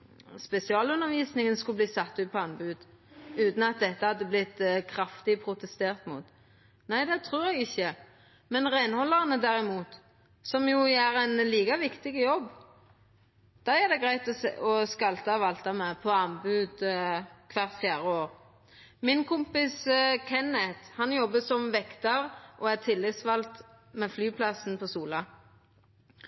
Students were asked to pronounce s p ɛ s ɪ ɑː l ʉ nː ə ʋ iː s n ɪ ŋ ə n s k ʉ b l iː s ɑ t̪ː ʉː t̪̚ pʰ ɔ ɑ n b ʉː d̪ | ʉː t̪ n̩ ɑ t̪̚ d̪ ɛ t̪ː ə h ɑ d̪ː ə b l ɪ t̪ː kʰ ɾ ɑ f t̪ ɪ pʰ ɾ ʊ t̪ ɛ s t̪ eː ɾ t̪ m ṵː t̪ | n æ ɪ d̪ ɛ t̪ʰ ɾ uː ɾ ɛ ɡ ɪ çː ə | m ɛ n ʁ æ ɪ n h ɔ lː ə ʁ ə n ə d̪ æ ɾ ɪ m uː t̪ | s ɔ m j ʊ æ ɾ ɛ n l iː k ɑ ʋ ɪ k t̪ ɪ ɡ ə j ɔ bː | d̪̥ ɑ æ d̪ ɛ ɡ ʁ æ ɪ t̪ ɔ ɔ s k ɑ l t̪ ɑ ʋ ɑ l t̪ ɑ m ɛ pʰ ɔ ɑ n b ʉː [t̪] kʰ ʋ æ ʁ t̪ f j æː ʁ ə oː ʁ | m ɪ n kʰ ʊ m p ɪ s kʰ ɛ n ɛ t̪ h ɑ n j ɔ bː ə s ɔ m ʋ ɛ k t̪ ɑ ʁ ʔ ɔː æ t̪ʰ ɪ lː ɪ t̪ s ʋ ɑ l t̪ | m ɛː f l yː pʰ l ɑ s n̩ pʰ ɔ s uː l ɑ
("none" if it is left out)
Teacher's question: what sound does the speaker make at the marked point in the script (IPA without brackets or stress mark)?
d̪